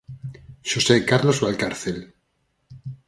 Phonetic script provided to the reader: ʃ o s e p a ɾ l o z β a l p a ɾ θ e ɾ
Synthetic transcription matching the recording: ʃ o s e k a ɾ l o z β a l k a ɾ θ e l